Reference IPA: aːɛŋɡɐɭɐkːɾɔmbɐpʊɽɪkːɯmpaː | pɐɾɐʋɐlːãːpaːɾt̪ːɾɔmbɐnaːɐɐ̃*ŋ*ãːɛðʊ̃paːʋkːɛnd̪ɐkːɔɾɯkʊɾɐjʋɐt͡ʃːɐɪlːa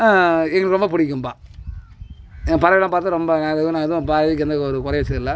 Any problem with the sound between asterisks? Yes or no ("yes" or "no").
yes